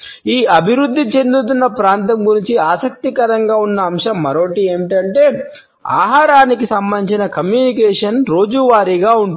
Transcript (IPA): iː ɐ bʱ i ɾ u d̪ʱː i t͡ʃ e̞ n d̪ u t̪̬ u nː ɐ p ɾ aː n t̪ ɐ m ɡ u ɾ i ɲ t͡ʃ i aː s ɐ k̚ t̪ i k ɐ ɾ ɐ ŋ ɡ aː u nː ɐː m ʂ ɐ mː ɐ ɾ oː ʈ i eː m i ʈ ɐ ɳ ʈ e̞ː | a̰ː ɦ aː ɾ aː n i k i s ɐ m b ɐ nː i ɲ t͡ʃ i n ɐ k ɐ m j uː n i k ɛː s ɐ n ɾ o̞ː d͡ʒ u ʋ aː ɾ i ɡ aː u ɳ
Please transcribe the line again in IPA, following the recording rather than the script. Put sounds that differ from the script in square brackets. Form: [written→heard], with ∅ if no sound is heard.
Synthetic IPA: iː ɐ bʱ i ɾ u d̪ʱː i t͡ʃ e̞ n d̪ u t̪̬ u nː ɐ p ɾ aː n t̪ ɐ m ɡ u ɾ i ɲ t͡ʃ i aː s ɐ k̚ t̪ i k ɐ ɾ ɐ ŋ ɡ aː u nː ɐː m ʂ ɐ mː ɐ ɾ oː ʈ i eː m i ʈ ɐ ɳ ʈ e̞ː | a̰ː ɦ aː ɾ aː n i k i s ɐ m b ɐ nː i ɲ t͡ʃ i n ɐ k ɐ m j uː n i k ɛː [s→ʂ] ɐ n ɾ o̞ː d͡ʒ u ʋ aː ɾ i ɡ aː u ɳ

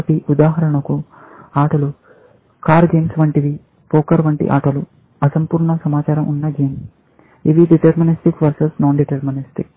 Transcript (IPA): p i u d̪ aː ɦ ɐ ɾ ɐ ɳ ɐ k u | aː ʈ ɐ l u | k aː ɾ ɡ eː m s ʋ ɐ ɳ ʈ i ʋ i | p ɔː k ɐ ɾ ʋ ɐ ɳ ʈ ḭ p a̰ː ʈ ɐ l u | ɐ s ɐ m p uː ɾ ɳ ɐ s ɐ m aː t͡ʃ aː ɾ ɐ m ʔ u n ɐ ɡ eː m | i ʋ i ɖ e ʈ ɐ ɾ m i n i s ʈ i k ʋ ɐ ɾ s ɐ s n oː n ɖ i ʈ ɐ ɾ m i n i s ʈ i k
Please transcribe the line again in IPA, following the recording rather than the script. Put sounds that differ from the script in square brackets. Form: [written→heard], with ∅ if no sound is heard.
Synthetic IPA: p i u d̪ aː ɦ ɐ ɾ ɐ ɳ ɐ k u | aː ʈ ɐ l u | k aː ɾ ɡ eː m s ʋ ɐ ɳ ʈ i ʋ i | p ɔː k ɐ ɾ ʋ ɐ ɳ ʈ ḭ [p→ʔ] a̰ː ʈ ɐ l u | ɐ s ɐ m p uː ɾ ɳ ɐ s ɐ m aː t͡ʃ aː ɾ ɐ m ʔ u [n→nː] ɐ ɡ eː m | i ʋ i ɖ [e→i] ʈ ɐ ɾ m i n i s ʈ i k ʋ ɐ ɾ s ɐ s n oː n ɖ i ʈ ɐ ɾ m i n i s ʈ i k

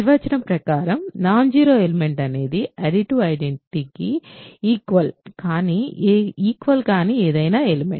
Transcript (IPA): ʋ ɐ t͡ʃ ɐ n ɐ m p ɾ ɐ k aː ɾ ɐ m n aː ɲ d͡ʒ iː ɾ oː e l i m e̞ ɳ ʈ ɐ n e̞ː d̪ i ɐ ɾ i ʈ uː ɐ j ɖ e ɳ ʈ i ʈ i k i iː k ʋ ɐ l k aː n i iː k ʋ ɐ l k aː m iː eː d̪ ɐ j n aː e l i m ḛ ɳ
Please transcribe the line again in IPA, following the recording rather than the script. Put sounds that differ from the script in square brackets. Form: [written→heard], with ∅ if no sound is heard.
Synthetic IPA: ʋ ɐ t͡ʃ ɐ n ɐ m p ɾ ɐ k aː ɾ ɐ m n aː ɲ d͡ʒ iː ɾ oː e l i m e̞ ɳ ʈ ɐ n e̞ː d̪ i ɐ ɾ i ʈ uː ɐ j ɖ e ɳ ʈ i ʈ i k i iː k ʋ ɐ l k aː n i iː k ʋ ɐ l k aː [m→n] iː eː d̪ ɐ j n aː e l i m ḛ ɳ

